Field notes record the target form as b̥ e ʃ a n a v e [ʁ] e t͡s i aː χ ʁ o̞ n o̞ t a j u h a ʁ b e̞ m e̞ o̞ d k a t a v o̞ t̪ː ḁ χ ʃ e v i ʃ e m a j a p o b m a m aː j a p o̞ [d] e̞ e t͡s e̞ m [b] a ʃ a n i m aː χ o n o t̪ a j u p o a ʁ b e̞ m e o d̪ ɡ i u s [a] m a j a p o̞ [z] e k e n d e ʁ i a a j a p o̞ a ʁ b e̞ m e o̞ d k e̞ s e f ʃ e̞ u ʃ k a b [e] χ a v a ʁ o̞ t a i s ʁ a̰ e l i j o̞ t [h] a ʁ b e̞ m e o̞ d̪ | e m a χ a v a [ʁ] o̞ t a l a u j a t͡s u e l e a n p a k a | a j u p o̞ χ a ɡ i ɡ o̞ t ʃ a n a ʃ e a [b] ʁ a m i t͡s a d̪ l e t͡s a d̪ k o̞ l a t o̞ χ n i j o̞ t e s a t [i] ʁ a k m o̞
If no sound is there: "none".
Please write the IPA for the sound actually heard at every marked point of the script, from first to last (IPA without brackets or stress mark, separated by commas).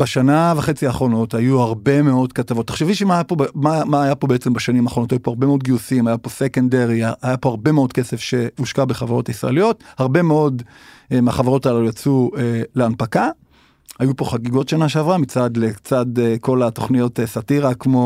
χ, b, b, i, s, e, h, ʁ, v, i